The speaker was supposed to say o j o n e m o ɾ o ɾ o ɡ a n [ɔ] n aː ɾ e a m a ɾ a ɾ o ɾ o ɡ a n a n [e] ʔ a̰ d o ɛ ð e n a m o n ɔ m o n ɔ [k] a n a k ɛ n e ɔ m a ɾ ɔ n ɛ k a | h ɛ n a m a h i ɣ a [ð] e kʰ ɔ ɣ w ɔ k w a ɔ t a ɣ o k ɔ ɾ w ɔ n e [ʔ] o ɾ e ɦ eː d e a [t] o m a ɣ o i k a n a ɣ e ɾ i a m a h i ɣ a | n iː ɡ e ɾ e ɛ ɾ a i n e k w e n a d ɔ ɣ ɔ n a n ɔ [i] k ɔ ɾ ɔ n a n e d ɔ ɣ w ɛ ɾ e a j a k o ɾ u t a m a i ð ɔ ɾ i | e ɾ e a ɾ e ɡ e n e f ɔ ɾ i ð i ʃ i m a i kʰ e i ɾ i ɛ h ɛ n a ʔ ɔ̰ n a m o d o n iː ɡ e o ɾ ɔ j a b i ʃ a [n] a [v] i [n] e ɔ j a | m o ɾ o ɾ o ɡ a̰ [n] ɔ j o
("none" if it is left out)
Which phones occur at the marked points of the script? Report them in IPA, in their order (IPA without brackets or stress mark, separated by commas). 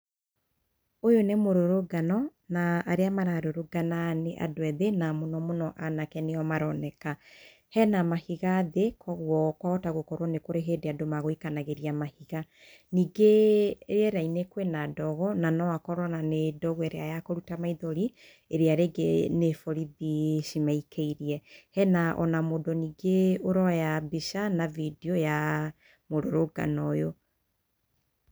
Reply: ɔ, e, ʔ, ð, k, d, a, n, v, d, n